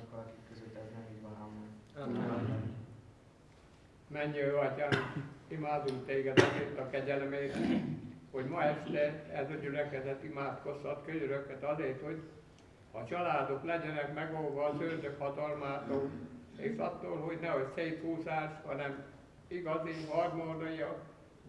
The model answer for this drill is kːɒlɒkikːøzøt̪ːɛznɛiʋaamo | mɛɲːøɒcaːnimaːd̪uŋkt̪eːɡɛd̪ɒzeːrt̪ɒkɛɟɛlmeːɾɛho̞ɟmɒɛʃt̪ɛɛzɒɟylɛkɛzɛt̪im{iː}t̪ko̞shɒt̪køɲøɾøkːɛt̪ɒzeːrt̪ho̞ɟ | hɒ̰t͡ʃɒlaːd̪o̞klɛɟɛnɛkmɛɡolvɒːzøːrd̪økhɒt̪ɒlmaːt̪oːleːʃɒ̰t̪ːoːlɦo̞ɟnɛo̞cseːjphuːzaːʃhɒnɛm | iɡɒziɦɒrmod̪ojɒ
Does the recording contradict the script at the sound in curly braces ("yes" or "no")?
yes